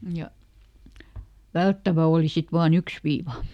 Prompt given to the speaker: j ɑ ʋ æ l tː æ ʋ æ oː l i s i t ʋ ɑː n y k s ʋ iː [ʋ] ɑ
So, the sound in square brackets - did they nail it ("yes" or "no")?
yes